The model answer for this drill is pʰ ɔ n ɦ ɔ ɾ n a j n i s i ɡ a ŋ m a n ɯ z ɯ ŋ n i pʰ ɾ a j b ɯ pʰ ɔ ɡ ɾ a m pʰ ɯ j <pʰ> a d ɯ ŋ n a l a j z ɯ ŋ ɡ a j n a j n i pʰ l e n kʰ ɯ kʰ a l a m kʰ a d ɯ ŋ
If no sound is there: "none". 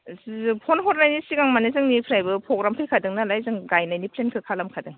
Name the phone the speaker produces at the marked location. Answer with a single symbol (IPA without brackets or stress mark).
kʰ